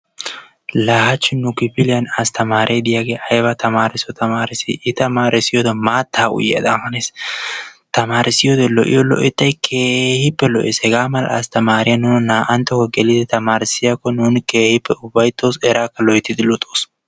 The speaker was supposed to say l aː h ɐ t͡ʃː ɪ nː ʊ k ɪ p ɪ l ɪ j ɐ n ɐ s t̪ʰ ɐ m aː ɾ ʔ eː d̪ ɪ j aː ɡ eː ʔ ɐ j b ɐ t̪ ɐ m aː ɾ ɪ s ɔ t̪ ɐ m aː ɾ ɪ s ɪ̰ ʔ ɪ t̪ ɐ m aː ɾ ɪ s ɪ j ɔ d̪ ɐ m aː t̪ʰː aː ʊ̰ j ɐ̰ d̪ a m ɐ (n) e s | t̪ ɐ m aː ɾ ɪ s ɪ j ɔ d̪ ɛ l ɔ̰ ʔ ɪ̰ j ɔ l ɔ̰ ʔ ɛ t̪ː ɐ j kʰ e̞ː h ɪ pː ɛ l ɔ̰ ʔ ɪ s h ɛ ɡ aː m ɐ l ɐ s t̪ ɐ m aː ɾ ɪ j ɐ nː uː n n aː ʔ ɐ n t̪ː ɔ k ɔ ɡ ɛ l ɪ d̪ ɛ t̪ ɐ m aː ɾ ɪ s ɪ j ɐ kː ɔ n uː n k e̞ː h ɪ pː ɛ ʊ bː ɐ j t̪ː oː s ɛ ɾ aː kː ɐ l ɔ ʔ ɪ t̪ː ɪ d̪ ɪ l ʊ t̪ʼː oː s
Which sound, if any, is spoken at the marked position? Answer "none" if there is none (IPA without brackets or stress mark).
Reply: n